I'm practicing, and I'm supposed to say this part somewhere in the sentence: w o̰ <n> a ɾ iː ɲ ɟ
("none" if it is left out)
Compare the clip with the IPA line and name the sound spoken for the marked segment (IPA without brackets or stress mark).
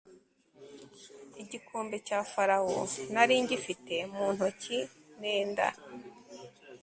n